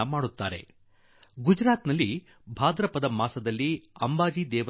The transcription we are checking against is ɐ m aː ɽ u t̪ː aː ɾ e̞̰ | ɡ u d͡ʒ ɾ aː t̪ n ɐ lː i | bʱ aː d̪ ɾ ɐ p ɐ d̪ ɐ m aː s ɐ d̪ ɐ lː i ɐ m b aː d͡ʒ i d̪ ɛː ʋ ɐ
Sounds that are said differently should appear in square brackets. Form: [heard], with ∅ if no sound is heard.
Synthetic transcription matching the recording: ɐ m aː ɽ u t̪ː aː ɾ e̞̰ | ɡ u d͡ʒ ɾ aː t̪ n ɐ lː i | bʱ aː d̪ ɾ ɐ p ɐ d̪ ɐ m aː s ɐ d̪ ɐ lː i ɐ m b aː d͡ʒ i d̪ ɛː ʋ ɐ